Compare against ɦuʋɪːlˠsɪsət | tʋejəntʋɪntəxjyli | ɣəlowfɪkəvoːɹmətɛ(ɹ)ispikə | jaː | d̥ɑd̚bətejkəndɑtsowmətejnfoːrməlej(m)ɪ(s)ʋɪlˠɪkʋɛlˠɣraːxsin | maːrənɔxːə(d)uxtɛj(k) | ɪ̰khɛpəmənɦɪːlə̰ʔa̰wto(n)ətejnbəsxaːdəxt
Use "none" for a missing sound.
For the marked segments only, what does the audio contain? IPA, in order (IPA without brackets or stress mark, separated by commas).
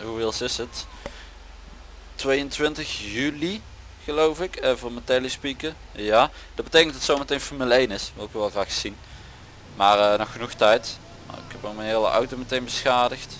l, n, s, n, t, m